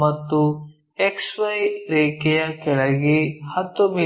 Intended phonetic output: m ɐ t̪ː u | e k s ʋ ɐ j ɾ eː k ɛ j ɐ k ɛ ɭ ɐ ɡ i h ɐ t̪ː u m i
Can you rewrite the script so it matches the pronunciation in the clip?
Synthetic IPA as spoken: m ɐ t̪ː u | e k s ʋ ɐ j ɾ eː k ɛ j ɐ k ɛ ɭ ɐ ɡ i h ɐ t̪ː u m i